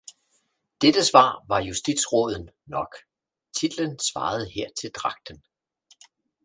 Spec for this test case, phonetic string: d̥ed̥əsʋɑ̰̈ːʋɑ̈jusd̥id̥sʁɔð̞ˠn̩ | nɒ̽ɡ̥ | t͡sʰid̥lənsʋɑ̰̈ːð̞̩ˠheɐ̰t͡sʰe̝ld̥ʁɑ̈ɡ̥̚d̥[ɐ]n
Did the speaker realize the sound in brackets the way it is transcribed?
no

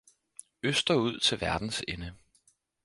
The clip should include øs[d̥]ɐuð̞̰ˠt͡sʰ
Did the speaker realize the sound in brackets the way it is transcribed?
yes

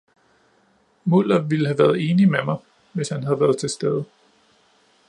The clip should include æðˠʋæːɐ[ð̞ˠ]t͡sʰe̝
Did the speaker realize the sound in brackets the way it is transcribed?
yes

